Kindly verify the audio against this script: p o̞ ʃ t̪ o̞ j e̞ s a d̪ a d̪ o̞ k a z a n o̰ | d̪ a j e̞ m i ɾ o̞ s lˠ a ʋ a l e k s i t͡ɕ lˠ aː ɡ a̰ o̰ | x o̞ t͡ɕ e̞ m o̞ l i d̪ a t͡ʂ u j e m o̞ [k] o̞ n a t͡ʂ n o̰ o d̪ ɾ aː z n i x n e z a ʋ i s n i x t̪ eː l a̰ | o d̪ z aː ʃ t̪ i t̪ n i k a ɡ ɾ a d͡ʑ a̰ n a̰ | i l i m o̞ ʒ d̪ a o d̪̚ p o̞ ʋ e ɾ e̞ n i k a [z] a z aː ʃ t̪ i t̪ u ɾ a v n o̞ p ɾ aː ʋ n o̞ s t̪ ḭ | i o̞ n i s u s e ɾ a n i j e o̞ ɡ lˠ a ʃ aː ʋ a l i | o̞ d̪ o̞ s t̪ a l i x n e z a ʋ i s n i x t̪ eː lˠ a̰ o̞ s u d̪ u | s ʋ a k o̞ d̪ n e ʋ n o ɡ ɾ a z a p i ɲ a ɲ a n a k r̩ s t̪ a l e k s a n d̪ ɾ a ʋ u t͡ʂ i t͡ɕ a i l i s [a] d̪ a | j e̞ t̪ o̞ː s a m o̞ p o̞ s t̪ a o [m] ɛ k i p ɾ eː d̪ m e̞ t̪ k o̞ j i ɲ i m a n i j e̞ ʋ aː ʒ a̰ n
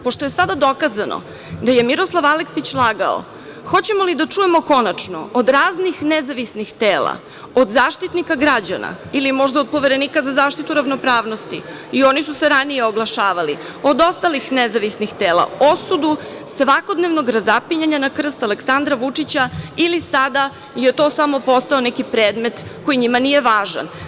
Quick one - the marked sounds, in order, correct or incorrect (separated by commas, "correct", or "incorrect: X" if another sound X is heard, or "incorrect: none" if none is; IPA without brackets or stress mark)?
correct, correct, correct, incorrect: n